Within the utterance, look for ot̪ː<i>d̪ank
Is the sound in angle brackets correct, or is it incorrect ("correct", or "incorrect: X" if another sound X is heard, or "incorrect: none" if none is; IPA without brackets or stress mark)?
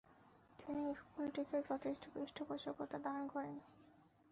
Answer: incorrect: a